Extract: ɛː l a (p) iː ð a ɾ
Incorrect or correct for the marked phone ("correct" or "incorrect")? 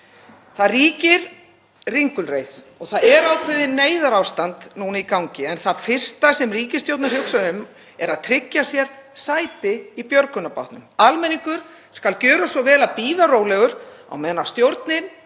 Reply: correct